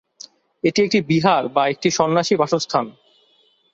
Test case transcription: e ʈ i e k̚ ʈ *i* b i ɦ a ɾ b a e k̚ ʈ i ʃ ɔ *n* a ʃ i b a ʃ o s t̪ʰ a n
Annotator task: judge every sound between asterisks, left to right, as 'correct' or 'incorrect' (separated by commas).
correct, incorrect